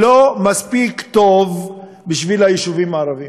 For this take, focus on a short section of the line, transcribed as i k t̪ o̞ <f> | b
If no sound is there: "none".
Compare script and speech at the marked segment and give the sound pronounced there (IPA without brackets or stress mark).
v